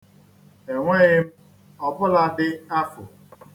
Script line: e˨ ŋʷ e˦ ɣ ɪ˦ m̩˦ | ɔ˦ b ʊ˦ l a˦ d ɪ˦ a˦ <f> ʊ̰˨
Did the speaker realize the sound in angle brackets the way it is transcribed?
yes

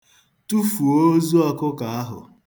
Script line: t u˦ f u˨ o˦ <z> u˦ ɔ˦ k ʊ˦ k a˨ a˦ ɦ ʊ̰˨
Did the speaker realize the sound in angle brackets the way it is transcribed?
yes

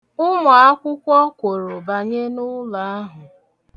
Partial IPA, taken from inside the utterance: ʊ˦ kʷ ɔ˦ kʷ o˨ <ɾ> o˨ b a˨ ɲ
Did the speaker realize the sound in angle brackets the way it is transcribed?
yes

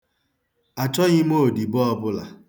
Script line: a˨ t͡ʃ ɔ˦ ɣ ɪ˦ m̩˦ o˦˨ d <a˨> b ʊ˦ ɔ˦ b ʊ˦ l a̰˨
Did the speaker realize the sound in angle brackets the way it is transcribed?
no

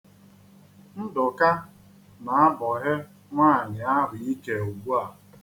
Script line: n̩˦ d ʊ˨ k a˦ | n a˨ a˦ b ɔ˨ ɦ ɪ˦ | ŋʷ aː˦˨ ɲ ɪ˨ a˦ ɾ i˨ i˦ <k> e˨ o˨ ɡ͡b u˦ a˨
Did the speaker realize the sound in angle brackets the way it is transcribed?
yes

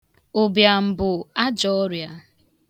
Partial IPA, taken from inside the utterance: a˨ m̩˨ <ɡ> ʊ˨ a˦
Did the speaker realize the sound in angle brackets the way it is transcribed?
no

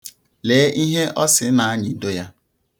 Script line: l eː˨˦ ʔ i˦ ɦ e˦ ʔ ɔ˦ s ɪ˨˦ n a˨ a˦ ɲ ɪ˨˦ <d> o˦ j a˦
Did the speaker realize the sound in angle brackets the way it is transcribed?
yes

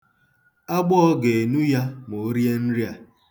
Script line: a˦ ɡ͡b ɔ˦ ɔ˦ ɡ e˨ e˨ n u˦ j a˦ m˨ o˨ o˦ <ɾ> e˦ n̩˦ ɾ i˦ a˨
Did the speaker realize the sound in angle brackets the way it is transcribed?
yes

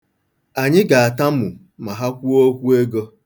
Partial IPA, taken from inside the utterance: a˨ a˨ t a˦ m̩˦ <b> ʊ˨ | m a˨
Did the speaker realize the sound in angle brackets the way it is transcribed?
no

